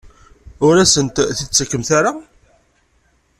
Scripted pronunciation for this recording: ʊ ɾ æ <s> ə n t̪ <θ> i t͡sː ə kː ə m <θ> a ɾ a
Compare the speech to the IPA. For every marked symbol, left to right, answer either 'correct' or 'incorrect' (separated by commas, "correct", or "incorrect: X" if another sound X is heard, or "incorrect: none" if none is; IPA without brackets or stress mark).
correct, correct, correct